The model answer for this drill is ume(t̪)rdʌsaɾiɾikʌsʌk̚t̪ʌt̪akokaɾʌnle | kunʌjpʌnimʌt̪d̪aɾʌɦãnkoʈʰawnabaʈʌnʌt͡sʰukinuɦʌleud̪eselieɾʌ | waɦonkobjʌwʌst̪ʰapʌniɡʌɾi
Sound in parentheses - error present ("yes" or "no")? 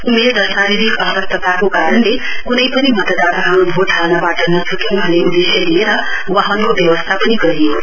yes